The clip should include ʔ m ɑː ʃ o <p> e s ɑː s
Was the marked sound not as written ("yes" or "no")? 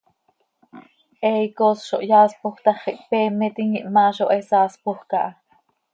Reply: yes